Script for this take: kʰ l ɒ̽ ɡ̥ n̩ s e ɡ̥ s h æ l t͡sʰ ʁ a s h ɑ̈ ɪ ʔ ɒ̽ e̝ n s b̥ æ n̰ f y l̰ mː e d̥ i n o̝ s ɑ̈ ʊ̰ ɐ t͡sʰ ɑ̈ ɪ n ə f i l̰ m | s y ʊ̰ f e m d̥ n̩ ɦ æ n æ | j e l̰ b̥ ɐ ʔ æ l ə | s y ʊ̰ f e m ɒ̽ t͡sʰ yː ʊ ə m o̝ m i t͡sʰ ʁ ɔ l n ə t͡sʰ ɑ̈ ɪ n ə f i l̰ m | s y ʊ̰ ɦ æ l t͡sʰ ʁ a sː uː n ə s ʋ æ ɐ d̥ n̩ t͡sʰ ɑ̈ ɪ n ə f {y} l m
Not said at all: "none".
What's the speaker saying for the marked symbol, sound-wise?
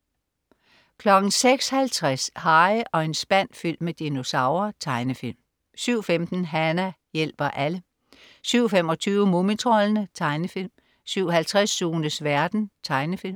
i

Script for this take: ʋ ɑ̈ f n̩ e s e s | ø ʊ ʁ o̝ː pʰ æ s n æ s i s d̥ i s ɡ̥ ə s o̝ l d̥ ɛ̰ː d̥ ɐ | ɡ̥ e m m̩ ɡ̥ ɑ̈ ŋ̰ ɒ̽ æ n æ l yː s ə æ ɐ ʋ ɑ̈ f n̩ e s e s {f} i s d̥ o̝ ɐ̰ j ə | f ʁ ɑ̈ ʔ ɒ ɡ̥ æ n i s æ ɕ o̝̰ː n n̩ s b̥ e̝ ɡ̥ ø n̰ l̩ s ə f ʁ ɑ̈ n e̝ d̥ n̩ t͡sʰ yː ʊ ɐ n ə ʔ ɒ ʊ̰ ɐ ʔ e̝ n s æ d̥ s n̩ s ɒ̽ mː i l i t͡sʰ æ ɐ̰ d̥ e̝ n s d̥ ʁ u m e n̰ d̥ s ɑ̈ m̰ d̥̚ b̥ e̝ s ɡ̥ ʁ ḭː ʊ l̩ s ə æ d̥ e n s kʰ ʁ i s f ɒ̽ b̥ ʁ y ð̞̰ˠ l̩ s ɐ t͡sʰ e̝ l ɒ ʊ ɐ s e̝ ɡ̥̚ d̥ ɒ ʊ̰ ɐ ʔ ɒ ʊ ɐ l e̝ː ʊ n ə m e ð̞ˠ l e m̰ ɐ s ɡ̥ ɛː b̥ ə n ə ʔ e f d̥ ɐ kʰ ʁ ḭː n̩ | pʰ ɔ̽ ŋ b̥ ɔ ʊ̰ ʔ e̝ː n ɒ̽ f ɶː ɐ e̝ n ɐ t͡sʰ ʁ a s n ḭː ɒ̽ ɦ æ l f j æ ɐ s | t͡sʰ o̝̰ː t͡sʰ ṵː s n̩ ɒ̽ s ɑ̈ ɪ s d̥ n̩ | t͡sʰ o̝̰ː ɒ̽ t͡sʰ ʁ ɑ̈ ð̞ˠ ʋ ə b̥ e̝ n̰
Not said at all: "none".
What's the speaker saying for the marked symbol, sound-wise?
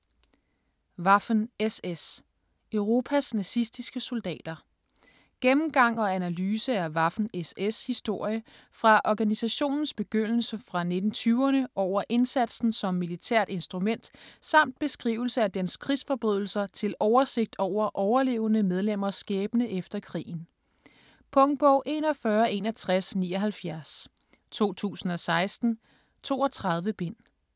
h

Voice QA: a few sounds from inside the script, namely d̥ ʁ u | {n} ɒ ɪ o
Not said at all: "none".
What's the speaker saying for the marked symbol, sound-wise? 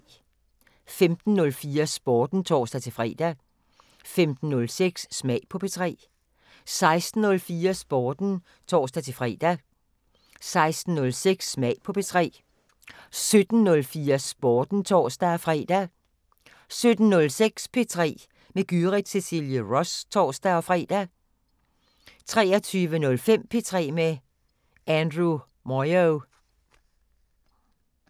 m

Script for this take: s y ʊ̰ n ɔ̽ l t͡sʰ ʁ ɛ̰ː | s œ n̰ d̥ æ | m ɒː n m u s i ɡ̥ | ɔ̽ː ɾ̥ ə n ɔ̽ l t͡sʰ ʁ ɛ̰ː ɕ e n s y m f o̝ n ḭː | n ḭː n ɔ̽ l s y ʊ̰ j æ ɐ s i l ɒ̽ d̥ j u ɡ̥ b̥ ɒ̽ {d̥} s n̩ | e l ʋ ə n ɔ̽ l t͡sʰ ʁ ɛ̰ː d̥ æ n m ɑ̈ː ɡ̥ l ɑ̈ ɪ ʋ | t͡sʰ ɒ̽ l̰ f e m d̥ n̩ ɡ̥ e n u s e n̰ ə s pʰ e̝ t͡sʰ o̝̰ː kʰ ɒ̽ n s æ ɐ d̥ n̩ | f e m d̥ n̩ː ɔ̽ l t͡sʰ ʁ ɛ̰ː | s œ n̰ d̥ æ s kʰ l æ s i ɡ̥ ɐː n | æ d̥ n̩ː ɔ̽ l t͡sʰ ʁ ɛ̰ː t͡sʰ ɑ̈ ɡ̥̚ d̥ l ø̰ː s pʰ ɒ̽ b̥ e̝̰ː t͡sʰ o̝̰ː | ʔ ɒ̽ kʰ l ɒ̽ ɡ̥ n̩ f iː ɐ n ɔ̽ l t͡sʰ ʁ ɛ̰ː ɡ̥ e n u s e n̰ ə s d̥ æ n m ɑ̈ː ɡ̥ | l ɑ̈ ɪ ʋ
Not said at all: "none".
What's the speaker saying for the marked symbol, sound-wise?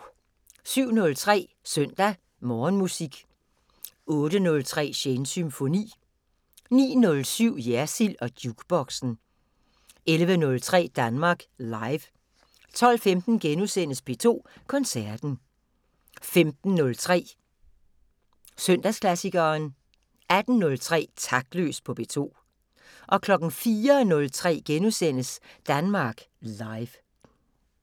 ɡ̥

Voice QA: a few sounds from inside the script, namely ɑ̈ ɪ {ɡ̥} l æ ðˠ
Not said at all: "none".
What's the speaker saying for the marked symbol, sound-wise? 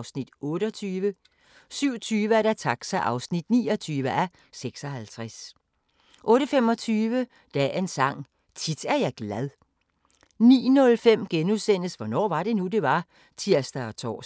ɡ̥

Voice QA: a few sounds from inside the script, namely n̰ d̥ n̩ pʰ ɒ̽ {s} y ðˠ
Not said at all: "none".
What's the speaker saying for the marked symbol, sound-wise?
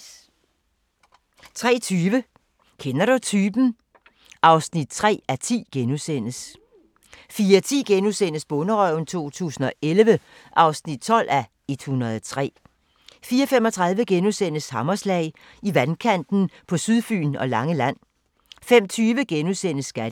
s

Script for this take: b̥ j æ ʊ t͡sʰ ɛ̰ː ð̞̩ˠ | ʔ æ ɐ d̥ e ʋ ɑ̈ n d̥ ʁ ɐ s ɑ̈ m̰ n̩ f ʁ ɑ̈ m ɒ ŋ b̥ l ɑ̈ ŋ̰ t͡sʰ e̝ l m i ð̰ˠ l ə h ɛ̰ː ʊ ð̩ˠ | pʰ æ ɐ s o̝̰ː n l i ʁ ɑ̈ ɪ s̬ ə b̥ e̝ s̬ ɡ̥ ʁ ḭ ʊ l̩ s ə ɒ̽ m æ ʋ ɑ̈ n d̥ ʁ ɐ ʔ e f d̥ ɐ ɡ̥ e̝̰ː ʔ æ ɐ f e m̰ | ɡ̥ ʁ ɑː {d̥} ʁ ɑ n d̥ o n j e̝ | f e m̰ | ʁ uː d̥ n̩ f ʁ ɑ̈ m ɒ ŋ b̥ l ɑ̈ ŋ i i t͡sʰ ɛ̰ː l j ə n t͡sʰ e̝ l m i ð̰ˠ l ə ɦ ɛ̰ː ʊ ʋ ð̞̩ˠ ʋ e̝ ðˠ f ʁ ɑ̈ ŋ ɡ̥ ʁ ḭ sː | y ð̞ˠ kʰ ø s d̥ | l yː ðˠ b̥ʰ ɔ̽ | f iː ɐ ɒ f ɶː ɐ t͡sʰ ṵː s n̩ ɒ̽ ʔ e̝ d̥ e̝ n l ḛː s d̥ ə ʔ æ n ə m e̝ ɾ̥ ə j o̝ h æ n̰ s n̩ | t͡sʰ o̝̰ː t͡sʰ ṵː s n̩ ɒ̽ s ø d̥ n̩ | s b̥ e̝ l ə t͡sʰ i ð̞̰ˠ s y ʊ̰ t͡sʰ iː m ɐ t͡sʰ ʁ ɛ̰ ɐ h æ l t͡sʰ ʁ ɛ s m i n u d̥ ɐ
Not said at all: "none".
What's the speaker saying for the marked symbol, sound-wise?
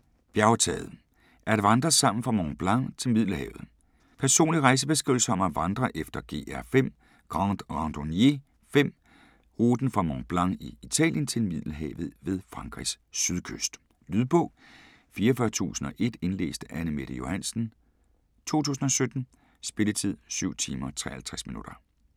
d̥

